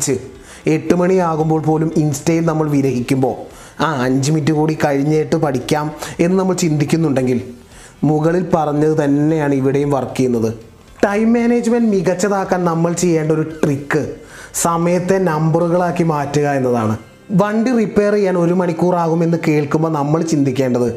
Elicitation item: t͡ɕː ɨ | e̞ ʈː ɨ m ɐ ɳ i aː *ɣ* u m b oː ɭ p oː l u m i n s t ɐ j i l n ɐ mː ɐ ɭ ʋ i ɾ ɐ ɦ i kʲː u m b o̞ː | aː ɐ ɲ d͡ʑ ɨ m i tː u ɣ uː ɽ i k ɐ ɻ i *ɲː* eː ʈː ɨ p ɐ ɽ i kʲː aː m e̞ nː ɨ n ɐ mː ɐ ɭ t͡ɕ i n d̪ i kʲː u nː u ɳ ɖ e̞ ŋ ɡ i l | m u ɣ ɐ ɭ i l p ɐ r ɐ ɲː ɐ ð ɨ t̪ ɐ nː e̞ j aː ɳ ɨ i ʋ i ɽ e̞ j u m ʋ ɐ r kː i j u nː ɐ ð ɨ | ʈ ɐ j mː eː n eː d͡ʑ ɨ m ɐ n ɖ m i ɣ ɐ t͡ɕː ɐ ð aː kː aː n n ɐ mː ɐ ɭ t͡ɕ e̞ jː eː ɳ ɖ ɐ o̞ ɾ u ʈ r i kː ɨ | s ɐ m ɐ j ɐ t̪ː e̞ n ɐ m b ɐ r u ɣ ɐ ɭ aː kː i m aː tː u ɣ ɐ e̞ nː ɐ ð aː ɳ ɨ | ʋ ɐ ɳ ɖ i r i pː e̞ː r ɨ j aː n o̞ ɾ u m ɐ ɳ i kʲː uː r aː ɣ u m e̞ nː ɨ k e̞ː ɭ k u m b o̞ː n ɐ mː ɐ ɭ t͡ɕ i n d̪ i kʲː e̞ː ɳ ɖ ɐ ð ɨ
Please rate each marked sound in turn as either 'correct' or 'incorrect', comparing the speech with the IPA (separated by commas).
correct, correct